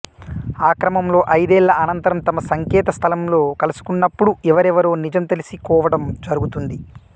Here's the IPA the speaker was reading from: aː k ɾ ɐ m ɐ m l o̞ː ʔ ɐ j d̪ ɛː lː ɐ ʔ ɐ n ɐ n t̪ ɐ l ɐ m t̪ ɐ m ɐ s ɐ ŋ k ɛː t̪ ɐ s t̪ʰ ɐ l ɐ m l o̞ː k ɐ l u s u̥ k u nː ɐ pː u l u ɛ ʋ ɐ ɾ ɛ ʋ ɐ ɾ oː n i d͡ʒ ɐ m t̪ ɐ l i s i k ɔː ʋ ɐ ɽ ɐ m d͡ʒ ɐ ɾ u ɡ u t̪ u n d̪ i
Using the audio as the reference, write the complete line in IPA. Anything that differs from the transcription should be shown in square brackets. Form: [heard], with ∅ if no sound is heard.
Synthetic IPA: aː k ɾ ɐ m ɐ m l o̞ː ʔ ɐ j d̪ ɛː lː ɐ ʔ ɐ n ɐ n t̪ ɐ [ɾ] ɐ m t̪ ɐ m ɐ s ɐ ŋ k ɛː t̪ ɐ s t̪ʰ ɐ l ɐ m l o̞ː k ɐ l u s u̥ k u nː ɐ pː u [ɽ] u ɛ ʋ ɐ ɾ ɛ ʋ ɐ ɾ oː n i d͡ʒ ɐ m t̪ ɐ l i s i k ɔː ʋ ɐ ɽ ɐ m d͡ʒ ɐ ɾ u ɡ u t̪ u n d̪ i